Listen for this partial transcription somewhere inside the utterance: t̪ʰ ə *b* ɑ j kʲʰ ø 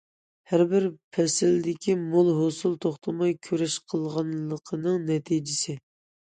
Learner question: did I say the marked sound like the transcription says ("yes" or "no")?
no